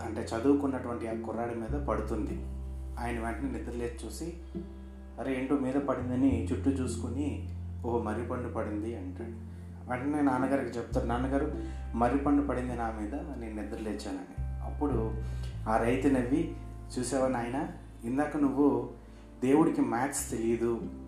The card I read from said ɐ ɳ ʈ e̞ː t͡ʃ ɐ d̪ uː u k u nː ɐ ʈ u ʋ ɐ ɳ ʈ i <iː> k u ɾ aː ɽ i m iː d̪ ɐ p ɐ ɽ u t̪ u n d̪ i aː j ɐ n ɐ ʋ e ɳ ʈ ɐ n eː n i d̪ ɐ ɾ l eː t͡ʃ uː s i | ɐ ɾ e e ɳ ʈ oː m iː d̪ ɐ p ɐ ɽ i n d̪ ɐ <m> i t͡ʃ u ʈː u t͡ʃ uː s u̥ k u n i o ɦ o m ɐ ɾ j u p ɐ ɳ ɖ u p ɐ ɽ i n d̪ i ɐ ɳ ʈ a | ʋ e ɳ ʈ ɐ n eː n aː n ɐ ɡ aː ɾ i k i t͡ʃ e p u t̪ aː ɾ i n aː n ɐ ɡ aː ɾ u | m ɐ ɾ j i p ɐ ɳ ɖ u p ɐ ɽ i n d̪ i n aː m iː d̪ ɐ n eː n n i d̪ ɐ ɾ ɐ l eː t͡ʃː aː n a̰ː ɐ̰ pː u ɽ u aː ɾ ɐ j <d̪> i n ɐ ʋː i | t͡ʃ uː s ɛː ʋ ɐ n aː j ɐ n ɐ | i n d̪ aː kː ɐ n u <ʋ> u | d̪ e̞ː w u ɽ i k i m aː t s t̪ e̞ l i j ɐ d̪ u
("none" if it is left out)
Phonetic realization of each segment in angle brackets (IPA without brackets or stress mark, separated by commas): aː, n, t̪, ʋː